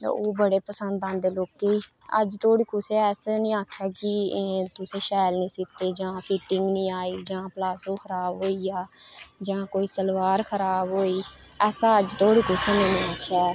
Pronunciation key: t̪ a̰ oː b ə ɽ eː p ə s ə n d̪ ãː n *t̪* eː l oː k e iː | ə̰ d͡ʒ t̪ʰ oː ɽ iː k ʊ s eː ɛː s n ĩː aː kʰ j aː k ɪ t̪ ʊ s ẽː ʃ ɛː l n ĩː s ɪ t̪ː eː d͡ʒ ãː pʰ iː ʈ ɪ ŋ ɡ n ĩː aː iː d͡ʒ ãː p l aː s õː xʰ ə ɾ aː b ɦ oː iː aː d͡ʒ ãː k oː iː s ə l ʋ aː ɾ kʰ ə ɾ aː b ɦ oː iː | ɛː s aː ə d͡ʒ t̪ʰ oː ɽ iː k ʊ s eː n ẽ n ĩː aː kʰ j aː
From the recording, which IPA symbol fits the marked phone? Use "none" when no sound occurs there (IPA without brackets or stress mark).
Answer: d̪